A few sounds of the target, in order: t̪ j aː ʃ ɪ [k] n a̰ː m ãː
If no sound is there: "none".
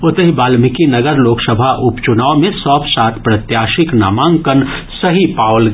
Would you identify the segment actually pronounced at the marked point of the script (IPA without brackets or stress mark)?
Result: k